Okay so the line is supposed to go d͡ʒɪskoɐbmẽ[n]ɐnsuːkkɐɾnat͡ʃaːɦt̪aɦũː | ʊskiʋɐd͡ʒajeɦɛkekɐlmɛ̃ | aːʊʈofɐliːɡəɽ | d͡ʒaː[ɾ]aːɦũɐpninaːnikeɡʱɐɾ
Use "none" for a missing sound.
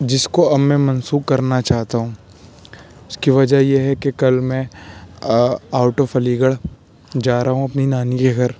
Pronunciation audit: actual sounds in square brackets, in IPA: m, ɾ

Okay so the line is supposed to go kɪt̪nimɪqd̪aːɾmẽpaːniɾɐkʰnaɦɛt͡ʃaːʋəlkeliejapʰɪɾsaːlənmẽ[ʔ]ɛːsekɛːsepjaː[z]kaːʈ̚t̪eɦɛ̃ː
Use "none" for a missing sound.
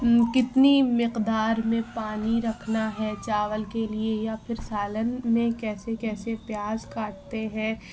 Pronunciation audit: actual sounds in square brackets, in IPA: k, z

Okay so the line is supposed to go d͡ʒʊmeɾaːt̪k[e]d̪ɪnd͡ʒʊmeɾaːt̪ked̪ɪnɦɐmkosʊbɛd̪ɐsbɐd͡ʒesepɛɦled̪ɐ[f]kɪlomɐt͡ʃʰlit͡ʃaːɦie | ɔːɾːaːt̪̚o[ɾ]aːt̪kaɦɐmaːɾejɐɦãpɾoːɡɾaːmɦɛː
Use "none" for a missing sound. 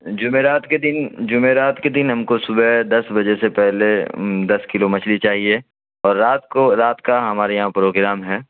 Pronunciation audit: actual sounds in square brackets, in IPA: e, s, ɾ

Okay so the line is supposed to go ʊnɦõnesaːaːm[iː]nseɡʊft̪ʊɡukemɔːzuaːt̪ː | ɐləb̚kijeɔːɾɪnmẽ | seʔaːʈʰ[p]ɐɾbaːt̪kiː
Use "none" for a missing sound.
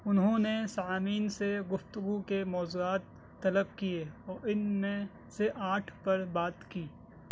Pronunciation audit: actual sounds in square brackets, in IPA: iː, p

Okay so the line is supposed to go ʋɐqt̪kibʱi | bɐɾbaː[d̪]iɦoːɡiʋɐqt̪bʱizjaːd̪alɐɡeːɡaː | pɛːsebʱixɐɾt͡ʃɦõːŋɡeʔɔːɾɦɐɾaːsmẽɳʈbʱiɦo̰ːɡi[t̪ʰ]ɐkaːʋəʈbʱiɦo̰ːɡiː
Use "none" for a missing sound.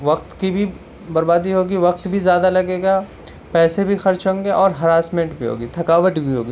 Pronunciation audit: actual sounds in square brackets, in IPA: d̪, t̪ʰ

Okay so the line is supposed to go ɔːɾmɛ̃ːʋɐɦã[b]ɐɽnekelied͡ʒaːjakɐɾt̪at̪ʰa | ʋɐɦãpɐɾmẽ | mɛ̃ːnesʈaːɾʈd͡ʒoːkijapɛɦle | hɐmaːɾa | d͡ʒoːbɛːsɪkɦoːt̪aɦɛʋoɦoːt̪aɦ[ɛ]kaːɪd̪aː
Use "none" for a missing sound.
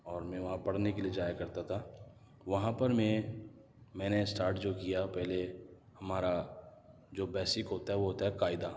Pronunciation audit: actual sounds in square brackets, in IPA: p, ɛ

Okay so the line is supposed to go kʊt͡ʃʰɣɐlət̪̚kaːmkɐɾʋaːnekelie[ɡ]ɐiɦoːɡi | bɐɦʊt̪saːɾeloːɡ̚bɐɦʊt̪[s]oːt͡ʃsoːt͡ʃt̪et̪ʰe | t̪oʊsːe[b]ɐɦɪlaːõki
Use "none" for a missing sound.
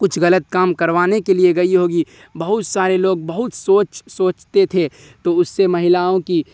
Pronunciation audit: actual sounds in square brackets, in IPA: ɡ, s, m

